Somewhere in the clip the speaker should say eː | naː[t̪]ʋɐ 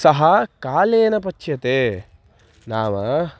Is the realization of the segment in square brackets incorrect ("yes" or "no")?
yes